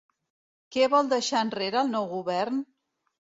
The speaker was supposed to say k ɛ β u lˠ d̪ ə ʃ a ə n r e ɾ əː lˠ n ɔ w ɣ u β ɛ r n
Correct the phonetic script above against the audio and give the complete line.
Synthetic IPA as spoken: k ɛ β ɔ lˠ d̪ ə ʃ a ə n r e ɾ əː lˠ n ɔ w ɣ u β ɛ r n